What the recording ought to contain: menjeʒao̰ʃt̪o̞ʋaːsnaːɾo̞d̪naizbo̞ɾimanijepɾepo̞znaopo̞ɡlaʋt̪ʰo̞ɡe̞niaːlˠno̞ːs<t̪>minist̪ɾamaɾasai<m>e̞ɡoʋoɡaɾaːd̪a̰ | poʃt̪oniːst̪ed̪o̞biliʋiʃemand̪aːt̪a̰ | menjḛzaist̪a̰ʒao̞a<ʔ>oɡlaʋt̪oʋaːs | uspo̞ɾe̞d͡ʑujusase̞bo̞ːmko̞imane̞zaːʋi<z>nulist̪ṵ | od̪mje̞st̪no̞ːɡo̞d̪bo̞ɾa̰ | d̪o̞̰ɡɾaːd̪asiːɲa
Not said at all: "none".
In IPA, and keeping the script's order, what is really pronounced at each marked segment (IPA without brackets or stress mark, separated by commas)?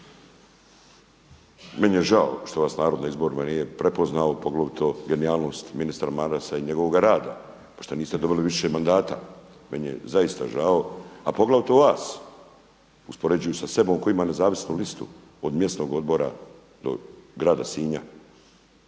t̪, ɲ, p, s